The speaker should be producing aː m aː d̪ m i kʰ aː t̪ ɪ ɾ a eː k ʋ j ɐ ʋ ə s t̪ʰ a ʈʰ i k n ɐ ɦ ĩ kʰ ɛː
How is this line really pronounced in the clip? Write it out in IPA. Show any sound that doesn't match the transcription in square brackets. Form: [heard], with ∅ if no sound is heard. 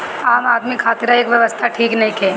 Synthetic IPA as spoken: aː m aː d̪ m i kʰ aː t̪ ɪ ɾ a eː k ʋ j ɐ ʋ ə s t̪ʰ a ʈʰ [iː] k n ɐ ɦ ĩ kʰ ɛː